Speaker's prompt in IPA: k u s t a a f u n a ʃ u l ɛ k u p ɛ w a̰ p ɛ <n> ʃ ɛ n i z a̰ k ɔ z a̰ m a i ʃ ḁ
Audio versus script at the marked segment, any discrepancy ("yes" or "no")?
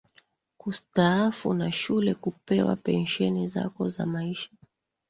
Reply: no